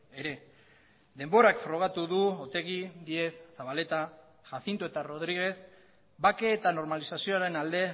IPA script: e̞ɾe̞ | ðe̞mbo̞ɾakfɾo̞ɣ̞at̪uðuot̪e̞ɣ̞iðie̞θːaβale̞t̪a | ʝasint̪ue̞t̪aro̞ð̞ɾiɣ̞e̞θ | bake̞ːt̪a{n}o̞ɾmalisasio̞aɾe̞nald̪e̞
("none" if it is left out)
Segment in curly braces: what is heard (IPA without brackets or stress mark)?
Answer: n